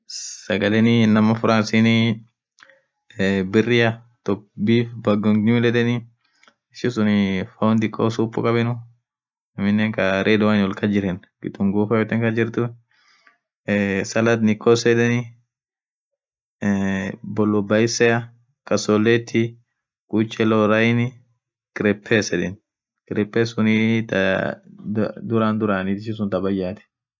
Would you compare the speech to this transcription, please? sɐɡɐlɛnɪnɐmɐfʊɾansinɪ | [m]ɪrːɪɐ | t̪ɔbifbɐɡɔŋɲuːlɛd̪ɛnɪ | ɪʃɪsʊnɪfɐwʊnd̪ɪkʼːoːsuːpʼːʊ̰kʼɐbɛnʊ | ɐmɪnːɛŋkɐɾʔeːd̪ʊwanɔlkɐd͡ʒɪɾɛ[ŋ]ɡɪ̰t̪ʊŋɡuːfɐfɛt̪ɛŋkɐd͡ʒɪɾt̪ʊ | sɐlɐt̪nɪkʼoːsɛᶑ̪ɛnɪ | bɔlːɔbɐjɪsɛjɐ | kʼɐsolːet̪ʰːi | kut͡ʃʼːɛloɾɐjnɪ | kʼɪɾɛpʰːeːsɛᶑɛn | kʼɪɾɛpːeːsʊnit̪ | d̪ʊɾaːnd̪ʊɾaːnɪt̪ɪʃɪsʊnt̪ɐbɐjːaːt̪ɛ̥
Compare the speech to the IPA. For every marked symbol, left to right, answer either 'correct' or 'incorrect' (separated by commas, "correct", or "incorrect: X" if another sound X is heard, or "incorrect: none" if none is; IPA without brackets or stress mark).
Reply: incorrect: b, incorrect: n